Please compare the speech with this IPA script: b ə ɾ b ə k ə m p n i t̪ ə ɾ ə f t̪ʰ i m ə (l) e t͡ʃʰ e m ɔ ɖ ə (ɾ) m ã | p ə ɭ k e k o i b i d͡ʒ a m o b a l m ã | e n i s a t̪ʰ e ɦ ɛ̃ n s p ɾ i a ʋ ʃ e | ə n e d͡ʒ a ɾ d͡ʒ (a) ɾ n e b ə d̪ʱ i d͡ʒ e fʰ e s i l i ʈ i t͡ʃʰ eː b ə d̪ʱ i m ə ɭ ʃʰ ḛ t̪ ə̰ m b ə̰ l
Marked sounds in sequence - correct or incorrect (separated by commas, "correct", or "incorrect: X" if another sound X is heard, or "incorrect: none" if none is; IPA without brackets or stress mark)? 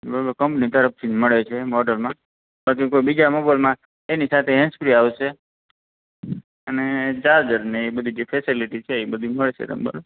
incorrect: ɭ, incorrect: l, incorrect: ə